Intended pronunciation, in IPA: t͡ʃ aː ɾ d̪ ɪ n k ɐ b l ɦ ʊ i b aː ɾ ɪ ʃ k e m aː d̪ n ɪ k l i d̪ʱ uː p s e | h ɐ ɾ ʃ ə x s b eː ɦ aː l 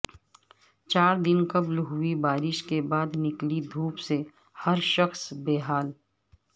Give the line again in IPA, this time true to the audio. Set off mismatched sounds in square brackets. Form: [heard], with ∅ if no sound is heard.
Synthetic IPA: t͡ʃ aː ɾ d̪ ɪ n k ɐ b l ɦ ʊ i b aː ɾ ɪ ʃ k e [b] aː d̪ n ɪ k l i d̪ʱ uː p s e | h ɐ ɾ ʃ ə x s b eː ɦ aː l